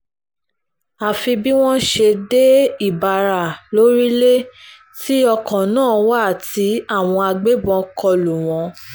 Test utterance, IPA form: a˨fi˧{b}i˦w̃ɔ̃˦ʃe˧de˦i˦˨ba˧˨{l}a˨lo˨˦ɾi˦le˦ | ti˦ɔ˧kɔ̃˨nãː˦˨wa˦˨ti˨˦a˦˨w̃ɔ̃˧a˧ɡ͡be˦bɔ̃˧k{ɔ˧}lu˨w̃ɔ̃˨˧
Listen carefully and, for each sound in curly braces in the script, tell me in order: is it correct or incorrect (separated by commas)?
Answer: correct, incorrect, correct